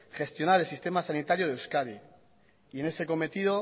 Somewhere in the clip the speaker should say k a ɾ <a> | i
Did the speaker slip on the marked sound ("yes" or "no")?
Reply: yes